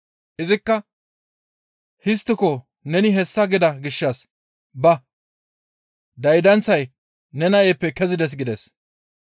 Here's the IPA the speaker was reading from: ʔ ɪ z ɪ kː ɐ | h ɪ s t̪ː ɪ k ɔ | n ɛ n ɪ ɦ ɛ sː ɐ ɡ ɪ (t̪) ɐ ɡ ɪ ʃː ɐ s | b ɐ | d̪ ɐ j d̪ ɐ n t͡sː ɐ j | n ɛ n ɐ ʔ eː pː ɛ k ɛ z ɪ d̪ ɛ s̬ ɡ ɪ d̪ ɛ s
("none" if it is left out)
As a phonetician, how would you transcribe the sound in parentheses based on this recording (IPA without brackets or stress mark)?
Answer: d̪